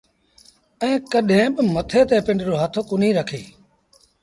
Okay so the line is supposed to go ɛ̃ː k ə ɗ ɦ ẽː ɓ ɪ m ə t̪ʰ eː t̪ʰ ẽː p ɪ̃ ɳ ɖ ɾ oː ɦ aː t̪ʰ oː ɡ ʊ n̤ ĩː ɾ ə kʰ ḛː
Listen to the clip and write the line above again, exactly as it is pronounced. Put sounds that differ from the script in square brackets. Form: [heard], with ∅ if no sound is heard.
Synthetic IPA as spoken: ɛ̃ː k ə ɗ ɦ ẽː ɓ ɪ m ə t̪ʰ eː [t̪] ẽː p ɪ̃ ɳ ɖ ɾ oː ɦ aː t̪ʰ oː [k] ʊ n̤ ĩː ɾ ə kʰ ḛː